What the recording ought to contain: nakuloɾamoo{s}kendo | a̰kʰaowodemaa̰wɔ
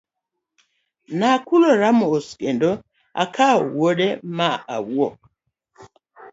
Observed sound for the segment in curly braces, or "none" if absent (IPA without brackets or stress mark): s